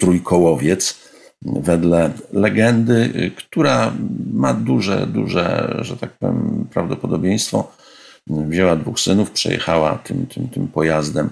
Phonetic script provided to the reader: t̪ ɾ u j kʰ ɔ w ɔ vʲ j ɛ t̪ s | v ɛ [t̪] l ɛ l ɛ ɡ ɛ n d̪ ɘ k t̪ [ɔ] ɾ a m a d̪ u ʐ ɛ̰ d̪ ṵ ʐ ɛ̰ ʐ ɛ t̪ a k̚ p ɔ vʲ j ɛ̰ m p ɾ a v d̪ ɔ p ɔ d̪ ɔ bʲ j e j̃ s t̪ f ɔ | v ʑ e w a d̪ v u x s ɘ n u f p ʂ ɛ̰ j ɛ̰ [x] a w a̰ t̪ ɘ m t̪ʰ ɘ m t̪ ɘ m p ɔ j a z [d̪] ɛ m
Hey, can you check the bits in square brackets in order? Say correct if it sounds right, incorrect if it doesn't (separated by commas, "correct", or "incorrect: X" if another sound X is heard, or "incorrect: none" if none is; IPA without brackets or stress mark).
incorrect: d̪, incorrect: u, correct, correct